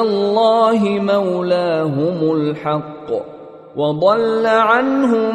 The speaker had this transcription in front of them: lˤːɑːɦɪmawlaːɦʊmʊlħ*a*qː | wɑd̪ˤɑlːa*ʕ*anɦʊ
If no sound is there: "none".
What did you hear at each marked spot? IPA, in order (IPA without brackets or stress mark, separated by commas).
ɑ, ʕ